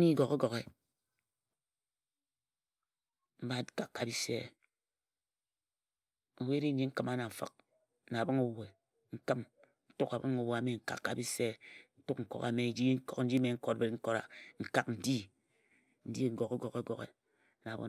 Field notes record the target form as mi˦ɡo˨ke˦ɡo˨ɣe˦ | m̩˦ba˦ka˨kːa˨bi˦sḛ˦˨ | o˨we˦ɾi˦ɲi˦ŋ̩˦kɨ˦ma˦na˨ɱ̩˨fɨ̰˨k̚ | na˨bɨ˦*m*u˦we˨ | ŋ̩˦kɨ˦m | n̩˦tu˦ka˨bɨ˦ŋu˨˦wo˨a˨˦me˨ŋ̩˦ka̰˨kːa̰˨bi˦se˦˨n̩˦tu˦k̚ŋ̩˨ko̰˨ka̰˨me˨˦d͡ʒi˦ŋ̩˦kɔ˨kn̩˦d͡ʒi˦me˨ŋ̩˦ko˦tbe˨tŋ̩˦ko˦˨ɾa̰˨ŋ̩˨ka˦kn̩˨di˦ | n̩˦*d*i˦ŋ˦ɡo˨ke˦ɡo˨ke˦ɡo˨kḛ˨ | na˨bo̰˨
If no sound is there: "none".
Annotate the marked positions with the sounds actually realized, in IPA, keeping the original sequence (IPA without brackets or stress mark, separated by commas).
ŋ, d